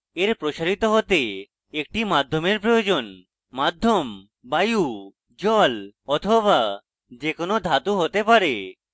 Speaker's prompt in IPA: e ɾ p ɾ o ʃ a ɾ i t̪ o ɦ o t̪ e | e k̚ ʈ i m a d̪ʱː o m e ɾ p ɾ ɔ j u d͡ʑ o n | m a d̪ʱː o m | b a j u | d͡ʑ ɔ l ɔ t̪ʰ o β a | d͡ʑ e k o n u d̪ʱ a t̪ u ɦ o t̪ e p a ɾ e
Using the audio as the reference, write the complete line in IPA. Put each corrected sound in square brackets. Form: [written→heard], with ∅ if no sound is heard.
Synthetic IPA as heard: e ɾ p ɾ o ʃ a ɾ i t̪ o ɦ o t̪ e | e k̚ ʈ i m a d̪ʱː o m e ɾ p ɾ [ɔ→o] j [u→o] d͡ʑ o n | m a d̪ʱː o m | b a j u | d͡ʑ ɔ l ɔ t̪ʰ o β a | d͡ʑ e k o n [u→o] d̪ʱ a t̪ u ɦ o t̪ e p a ɾ e